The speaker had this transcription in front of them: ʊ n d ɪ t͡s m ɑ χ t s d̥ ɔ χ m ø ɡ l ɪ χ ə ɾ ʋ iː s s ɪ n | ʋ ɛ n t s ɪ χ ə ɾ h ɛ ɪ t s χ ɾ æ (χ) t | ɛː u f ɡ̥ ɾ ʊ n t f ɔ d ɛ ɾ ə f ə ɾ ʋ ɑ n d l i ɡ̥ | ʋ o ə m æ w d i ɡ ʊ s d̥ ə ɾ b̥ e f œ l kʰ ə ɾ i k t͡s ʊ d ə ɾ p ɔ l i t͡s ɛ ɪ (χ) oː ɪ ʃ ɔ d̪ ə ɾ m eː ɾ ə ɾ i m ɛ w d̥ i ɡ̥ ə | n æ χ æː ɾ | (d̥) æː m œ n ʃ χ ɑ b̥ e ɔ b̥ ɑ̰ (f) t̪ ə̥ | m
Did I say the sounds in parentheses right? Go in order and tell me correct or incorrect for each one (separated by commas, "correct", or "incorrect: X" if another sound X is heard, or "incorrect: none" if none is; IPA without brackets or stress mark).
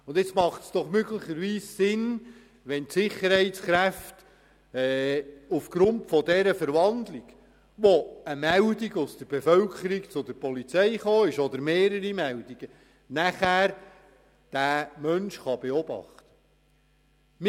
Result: incorrect: f, correct, correct, incorrect: χ